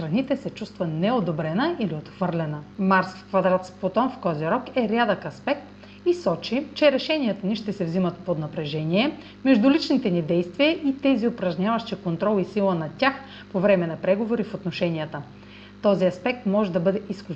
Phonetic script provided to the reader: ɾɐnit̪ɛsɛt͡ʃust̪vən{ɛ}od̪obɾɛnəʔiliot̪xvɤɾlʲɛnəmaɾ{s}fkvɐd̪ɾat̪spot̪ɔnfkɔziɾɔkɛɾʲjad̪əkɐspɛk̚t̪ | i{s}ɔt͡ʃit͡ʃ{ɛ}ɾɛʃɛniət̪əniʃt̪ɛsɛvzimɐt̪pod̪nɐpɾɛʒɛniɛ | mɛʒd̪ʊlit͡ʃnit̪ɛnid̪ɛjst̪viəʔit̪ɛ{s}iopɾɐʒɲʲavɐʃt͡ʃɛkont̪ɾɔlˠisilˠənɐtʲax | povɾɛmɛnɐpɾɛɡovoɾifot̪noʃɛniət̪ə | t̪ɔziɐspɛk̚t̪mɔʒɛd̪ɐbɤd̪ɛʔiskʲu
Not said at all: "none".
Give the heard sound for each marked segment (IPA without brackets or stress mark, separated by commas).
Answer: ɛ, s, s, ɛ, z